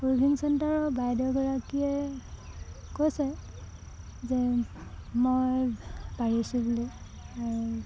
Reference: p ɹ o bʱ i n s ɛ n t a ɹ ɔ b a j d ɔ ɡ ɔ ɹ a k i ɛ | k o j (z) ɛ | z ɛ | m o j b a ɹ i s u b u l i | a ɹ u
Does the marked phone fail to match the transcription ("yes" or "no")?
yes